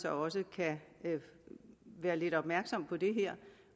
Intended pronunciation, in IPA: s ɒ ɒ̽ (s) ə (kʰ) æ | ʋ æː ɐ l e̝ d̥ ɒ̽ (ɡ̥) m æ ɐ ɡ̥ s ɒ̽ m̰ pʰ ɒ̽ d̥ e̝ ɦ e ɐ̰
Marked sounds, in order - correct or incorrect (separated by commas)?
correct, correct, incorrect